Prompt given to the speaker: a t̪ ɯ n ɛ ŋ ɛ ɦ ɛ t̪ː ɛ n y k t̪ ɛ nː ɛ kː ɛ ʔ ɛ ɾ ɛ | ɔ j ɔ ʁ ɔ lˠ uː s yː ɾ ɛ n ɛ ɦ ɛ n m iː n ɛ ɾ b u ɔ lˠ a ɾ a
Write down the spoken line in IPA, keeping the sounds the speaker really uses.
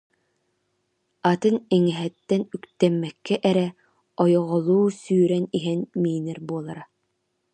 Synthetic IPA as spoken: a t̪ ɯ n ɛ ŋ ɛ ɦ ɛ t̪ː ɛ n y k t̪ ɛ mː ɛ kː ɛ ʔ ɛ ɾ ɛ | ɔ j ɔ ʁ ɔ lˠ uː s yː ɾ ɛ n i ɦ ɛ n m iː n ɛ ɾ b u ɔ lˠ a ɾ a